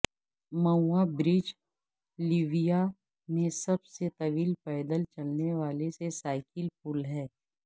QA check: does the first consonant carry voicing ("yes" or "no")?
yes